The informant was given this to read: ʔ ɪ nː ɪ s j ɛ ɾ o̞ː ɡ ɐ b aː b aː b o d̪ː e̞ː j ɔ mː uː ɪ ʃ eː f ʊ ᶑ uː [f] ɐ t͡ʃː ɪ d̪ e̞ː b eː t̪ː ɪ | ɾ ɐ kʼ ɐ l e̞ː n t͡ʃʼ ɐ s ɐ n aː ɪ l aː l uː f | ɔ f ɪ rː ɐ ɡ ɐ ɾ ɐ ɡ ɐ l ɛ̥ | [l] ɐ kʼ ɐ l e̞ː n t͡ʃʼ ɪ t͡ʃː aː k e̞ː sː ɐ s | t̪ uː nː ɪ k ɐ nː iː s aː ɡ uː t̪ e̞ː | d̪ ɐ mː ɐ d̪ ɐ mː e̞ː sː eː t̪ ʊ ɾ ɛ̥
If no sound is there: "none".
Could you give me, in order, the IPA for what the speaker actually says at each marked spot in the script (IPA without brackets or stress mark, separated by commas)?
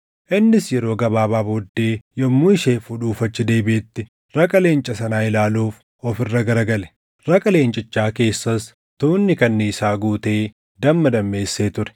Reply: f, ɾ